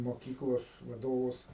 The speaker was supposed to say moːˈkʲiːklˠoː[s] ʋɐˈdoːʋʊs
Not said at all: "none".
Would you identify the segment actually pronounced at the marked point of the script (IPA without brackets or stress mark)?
s